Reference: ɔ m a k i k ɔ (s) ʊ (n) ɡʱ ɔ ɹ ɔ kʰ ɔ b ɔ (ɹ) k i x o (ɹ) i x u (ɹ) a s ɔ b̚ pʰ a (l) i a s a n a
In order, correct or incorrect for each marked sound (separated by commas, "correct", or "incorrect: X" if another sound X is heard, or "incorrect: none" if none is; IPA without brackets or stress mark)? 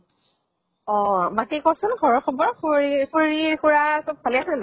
correct, correct, correct, correct, correct, correct